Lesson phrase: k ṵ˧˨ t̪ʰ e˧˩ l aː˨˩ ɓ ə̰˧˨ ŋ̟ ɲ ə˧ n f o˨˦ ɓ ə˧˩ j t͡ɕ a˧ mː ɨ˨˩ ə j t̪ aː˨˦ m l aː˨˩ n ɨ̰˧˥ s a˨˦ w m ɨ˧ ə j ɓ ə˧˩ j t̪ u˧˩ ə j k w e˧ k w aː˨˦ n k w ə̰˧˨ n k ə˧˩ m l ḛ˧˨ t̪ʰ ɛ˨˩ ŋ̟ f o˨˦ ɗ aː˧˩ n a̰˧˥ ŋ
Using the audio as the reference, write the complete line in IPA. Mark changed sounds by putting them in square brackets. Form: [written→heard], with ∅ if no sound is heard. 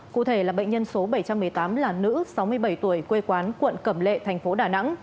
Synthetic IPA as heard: k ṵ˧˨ t̪ʰ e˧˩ l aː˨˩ ɓ ə̰˧˨ ŋ̟ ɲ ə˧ n [f→s] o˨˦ ɓ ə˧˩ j t͡ɕ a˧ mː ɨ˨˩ ə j t̪ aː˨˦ m l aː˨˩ n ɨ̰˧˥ s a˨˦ w m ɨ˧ ə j ɓ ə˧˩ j t̪ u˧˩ ə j k w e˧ k w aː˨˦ n k w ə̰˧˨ n k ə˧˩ m l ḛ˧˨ t̪ʰ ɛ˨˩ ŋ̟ f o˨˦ ɗ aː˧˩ n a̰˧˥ ŋ